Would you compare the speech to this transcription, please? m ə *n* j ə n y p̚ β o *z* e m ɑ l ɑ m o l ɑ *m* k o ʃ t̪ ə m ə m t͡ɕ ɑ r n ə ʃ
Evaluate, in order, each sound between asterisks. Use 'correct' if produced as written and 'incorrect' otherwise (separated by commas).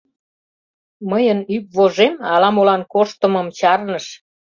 incorrect, incorrect, incorrect